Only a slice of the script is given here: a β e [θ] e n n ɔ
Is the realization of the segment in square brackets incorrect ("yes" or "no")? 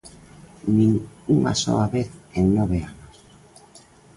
no